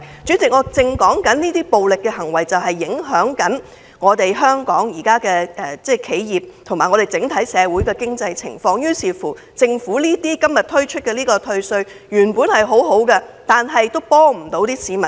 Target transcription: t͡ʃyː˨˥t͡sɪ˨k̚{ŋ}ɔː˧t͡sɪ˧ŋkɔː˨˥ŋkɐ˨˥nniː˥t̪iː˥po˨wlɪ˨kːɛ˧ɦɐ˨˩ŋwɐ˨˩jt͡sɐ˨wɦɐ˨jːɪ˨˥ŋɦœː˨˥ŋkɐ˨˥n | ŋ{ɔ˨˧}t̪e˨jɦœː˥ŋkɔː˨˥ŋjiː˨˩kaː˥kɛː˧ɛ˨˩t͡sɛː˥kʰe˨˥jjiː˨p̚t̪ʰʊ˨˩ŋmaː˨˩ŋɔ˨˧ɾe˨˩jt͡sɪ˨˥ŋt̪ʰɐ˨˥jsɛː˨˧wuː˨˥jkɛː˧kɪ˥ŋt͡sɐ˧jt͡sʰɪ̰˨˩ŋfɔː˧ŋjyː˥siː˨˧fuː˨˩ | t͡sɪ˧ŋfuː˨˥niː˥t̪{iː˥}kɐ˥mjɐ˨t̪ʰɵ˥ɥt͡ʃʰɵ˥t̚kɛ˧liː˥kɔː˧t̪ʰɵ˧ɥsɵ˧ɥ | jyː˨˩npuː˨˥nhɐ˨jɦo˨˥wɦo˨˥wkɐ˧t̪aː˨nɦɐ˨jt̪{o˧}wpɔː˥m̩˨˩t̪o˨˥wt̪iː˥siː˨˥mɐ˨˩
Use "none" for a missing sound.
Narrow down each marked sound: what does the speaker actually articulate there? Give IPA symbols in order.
ŋ, ɔː˨˧, iː˥, o˥

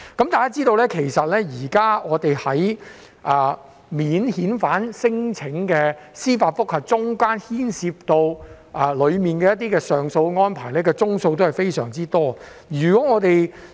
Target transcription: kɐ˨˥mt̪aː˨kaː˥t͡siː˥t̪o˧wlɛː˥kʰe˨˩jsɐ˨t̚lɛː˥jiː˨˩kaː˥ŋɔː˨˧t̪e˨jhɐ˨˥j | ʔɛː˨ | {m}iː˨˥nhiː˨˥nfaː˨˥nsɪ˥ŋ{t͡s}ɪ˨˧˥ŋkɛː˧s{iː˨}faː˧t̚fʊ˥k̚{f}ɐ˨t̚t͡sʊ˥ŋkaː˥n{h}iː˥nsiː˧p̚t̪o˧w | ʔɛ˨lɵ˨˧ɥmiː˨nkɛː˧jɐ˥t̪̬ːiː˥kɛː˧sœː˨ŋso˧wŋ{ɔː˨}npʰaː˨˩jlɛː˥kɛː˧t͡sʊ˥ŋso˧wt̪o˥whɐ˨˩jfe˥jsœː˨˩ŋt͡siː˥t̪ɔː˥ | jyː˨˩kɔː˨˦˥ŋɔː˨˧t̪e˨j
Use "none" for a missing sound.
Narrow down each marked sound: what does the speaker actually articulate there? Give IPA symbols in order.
m, t͡sʰ, iː˥, h, h, ɔː˥

